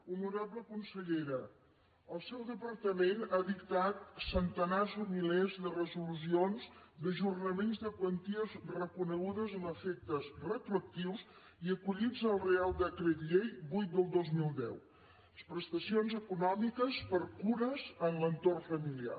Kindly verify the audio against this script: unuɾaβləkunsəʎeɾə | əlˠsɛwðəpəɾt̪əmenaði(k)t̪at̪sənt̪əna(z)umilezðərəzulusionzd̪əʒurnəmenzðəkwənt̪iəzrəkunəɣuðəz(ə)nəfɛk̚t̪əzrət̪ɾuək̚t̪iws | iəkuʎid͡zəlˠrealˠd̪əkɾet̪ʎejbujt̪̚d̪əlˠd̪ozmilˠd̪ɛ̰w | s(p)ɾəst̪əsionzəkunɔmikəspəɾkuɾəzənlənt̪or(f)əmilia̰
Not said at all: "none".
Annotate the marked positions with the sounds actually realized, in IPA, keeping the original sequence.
k, z, ə, p, f

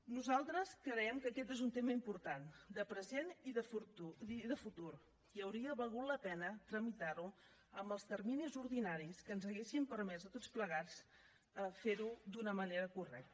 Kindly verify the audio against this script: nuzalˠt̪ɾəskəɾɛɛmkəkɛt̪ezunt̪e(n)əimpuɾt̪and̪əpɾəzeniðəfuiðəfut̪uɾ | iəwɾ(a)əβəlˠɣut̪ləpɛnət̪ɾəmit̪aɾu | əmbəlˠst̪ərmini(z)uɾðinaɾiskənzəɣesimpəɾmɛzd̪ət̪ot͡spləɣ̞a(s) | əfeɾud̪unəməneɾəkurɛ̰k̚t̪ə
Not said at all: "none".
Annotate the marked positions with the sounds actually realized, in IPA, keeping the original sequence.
m, i, z, t͡s

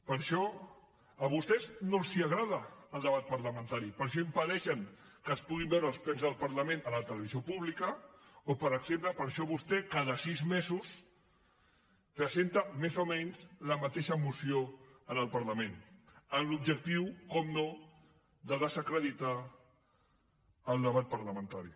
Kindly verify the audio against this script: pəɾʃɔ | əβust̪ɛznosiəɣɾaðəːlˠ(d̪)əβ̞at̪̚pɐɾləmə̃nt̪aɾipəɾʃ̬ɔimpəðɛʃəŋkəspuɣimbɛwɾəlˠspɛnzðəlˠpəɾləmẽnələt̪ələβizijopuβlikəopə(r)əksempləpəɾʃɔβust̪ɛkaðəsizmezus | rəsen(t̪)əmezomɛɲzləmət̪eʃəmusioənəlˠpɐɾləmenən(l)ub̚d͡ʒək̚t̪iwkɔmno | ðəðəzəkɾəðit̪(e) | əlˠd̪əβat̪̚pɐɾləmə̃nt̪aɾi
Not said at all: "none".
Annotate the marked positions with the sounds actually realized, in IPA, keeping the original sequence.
d̪, ɾ, t̪, l, a

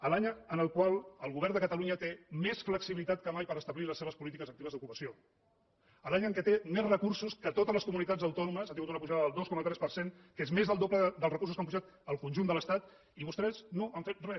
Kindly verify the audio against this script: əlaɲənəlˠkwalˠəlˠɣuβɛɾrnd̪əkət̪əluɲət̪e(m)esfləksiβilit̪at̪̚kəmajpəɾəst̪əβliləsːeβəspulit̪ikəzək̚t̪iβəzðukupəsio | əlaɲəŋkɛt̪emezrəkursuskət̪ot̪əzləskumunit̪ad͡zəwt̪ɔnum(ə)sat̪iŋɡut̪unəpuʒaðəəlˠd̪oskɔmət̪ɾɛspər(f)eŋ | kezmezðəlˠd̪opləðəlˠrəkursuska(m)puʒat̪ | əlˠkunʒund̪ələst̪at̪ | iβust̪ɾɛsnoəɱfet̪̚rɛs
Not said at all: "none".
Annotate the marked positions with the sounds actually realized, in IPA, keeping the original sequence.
m, ə, s, m

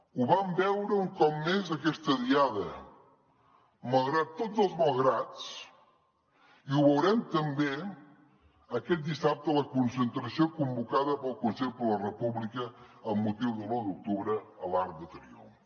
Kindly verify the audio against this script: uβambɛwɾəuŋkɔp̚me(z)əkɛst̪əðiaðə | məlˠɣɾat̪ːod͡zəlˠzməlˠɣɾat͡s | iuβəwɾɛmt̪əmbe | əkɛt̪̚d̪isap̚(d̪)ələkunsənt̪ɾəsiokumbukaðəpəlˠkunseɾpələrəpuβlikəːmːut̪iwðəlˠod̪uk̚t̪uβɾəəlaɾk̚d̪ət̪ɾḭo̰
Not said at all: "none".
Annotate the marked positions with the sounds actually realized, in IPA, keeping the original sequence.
z, t̪

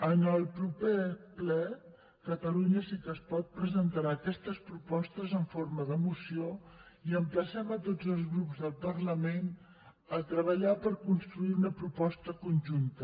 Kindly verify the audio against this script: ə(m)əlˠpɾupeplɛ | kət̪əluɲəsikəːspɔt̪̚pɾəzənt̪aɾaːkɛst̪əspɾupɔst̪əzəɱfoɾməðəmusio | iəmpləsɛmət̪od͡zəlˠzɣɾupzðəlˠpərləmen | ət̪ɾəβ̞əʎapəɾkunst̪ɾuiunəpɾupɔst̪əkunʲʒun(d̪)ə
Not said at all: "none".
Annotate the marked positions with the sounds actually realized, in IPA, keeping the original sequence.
n, t̪

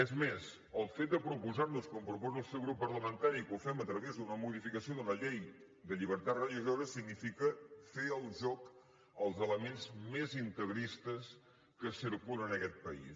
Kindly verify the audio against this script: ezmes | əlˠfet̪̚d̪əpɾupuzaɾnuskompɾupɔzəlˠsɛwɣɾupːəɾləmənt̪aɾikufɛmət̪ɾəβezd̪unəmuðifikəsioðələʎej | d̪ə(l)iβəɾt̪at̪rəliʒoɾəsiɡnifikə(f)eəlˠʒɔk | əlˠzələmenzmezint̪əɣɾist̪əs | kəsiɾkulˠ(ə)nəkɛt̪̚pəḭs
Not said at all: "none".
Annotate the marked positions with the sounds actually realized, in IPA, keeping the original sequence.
ʎ, f, ə

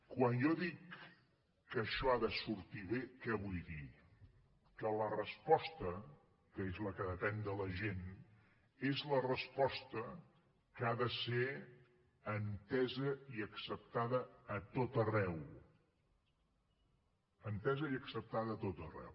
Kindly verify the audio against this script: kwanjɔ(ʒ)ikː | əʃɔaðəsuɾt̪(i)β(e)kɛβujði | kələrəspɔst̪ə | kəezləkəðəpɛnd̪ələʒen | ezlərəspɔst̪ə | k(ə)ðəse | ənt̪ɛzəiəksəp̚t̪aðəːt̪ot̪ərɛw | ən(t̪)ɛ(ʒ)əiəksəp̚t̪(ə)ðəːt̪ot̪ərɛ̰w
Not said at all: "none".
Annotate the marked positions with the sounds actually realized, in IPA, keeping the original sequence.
ð, i, e, a, t̪, z, a

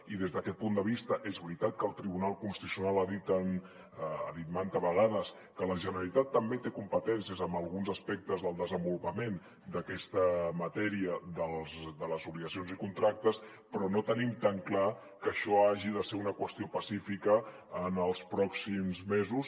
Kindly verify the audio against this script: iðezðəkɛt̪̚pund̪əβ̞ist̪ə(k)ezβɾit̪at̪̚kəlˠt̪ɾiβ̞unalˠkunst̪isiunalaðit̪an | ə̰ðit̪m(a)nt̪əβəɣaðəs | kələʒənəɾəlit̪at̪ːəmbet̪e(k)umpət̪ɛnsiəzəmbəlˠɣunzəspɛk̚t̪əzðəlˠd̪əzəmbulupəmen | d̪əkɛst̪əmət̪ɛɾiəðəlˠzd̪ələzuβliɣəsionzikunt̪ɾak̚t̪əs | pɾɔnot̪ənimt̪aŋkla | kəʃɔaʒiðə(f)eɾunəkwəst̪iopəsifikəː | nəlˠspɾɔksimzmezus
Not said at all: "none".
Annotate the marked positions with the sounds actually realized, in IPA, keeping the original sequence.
ʔ, a, k, s

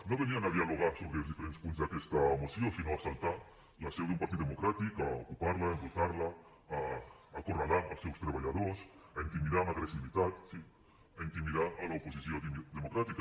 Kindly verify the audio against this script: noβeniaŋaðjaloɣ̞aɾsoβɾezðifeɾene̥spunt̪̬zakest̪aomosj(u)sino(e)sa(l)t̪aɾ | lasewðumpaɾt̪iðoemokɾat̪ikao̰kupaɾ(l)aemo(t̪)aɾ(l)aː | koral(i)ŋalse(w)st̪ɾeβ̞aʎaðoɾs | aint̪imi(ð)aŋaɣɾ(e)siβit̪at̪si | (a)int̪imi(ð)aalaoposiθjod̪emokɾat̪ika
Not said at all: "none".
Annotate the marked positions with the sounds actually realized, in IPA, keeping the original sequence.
o, a, l, l, t̪, l, a, w, ð, e, a, ð

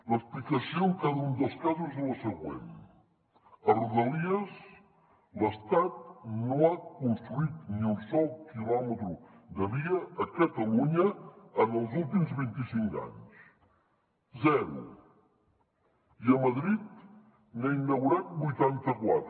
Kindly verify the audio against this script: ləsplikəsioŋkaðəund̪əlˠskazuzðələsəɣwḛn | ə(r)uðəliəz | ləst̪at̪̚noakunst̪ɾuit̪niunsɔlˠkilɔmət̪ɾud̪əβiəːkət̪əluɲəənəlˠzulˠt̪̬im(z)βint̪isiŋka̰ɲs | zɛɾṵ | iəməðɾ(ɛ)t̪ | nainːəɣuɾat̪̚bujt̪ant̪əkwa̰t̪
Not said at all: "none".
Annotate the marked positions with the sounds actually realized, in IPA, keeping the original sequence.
r, z, i

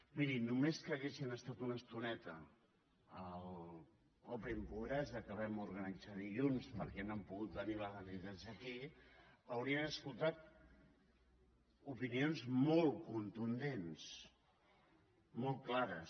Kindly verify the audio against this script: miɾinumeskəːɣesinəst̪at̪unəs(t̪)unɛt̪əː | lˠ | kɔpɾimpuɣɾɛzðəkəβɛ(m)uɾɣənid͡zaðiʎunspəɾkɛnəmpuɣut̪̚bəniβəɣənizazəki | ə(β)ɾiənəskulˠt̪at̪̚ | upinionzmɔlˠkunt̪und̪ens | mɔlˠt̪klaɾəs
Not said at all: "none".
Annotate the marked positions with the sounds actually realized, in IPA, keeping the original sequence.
t̪, m, w

